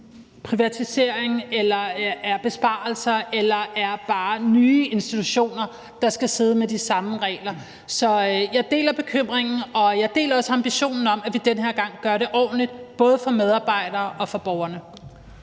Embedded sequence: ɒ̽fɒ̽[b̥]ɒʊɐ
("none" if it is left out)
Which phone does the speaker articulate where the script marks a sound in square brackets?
b̥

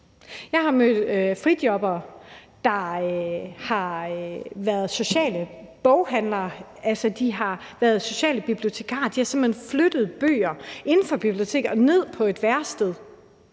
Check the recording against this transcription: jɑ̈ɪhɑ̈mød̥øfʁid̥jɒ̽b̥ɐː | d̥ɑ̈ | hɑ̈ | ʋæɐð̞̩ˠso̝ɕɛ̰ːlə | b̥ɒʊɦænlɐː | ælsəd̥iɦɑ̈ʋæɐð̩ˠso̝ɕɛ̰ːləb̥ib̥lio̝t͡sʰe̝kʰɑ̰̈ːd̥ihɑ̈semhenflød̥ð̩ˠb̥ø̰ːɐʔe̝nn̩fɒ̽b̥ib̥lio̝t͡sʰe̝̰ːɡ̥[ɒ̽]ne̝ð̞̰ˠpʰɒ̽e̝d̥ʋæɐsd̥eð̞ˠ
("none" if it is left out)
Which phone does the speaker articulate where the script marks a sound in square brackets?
ɒ̽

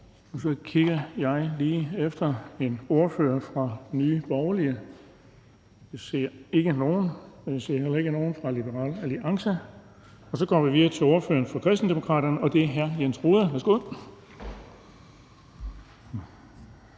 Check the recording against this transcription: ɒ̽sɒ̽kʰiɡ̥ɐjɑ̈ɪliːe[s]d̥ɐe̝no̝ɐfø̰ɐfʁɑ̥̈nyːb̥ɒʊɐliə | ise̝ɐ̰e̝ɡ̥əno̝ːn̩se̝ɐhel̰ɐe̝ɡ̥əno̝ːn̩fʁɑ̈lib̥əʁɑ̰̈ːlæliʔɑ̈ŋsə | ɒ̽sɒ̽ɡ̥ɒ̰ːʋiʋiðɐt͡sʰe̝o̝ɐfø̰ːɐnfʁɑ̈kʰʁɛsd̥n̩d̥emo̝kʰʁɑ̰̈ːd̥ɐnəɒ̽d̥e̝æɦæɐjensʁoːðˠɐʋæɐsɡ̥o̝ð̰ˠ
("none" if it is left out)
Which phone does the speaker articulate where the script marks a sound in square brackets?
f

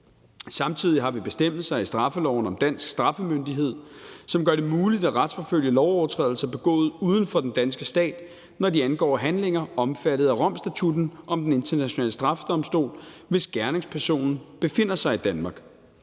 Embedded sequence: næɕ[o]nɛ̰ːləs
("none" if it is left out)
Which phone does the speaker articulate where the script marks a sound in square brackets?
o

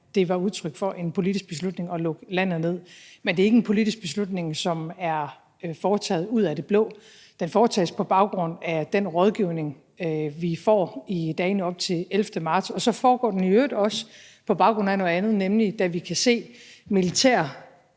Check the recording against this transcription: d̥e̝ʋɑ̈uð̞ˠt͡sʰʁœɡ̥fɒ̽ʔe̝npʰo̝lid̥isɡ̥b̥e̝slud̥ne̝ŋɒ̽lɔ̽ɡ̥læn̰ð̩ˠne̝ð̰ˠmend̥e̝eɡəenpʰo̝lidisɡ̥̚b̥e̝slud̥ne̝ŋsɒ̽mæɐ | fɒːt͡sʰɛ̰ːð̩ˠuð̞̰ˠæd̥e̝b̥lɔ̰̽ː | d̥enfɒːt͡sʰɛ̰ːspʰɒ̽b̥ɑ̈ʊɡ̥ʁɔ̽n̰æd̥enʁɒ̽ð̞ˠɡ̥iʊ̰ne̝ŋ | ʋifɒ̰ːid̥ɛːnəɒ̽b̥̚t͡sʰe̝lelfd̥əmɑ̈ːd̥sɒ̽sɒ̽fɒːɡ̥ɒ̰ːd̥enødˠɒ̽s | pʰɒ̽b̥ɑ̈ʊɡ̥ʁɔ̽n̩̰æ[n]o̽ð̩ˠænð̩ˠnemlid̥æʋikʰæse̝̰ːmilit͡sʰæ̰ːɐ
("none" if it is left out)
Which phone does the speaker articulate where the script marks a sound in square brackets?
n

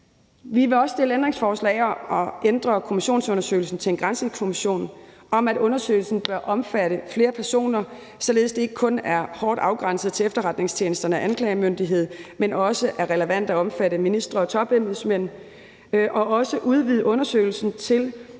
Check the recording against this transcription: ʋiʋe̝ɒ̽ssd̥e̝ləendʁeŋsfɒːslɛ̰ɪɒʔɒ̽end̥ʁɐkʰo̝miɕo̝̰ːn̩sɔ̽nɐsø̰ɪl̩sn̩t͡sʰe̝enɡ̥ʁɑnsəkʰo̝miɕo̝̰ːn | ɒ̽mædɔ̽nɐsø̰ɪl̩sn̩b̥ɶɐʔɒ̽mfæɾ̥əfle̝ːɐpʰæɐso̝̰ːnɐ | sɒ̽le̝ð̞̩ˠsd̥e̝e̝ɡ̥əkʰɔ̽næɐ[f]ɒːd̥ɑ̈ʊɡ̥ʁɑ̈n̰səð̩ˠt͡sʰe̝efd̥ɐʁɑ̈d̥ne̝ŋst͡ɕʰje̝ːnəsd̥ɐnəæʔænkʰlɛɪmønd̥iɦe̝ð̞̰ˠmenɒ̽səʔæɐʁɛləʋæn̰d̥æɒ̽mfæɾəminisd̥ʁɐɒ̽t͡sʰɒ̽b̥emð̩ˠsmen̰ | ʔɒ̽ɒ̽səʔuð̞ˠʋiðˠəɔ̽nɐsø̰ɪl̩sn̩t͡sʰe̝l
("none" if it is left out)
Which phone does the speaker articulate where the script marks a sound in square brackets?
h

